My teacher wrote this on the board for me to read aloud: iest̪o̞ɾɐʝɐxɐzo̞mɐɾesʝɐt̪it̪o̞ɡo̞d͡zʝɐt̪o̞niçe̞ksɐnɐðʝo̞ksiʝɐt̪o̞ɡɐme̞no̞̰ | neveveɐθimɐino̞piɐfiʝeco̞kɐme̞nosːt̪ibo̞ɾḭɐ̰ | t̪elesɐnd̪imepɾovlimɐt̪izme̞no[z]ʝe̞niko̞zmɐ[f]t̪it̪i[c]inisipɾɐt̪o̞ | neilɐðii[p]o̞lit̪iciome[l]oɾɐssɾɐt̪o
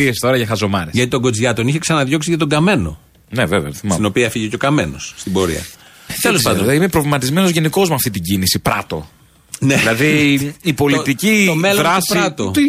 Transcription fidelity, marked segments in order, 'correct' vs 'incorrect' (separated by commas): correct, correct, incorrect, correct, correct